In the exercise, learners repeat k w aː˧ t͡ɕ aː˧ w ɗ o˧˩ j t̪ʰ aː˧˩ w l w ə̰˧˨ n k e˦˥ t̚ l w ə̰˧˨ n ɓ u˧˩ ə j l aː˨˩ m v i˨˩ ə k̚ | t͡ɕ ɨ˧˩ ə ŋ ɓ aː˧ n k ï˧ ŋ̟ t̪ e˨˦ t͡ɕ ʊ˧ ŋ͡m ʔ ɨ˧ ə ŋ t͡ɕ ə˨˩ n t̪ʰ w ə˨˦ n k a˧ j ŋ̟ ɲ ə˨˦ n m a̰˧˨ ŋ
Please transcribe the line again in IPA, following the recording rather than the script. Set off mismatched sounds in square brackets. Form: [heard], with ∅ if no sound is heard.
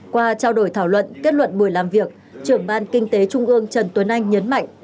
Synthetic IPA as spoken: k w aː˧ t͡ɕ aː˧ w ɗ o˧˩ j t̪ʰ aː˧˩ w l w ə̰˧˨ n k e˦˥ t̚ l w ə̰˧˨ n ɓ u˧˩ ə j l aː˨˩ m v i˨˩ ə k̚ | t͡ɕ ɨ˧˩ ə ŋ ɓ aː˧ n k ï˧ ŋ̟ t̪ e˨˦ t͡ɕ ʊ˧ ŋ͡m ʔ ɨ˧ ə ŋ t͡ɕ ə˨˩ n [t̪] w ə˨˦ n [ʔ] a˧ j ŋ̟ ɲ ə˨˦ n m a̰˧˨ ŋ